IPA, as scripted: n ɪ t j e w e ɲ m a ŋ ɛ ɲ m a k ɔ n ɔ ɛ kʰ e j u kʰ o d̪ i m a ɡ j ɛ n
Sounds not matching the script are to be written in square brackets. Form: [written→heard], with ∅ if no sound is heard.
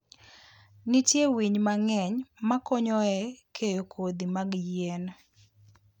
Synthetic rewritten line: n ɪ t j e w [e→i] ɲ m a ŋ ɛ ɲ m a k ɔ [n→ɲ] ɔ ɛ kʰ e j [u→o] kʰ o d̪ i m a ɡ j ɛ n